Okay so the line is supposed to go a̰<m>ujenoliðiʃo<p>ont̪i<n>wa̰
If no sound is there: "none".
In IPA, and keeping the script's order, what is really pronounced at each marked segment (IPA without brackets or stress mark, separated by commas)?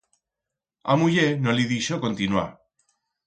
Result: m, k, n